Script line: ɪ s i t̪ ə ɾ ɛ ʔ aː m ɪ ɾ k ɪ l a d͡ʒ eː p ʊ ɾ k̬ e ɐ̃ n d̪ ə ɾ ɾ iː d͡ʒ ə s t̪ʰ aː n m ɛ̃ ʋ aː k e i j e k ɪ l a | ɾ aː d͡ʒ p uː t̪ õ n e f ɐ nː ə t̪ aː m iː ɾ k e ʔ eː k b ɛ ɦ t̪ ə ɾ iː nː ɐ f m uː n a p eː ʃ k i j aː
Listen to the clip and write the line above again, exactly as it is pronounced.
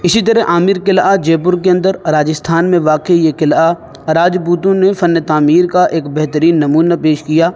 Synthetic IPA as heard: ɪ s i t̪ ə ɾ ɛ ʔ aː m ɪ ɾ k ɪ l a d͡ʒ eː p ʊ ɾ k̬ e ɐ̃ n d̪ ə ɾ ɾ aː d͡ʒ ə s t̪ʰ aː n m ẽ ʋ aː k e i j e k ɪ l a | ɾ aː d͡ʒ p uː t̪ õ n e f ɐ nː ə t̪ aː m iː ɾ k a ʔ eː k b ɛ ɦ t̪ ə ɾ iː nː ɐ m uː n a p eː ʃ k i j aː